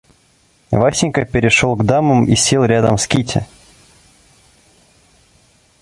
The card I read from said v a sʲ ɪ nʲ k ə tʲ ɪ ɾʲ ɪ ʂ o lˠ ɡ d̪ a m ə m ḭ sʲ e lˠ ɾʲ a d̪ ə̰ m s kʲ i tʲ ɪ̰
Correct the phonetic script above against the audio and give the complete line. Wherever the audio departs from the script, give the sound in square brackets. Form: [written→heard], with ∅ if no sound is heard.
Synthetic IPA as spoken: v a sʲ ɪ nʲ k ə [tʲ→pʲ] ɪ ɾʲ ɪ ʂ o lˠ ɡ d̪ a m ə m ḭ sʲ e lˠ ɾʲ a d̪ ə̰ m s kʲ i tʲ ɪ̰